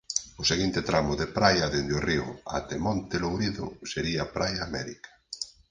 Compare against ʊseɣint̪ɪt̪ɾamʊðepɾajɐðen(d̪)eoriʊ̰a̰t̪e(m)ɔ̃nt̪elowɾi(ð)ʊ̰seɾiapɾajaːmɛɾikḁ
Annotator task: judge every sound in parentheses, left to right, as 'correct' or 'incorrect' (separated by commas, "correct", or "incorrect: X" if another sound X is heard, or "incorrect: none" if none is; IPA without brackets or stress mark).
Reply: correct, correct, correct